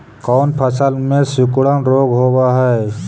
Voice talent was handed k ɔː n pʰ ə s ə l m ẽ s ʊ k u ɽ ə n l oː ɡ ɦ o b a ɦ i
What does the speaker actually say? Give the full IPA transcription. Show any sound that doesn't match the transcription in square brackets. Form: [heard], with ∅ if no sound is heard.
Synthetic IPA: k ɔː n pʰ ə s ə l m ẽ s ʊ k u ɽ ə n [ɾ] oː ɡ ɦ o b a ɦ [ɛ]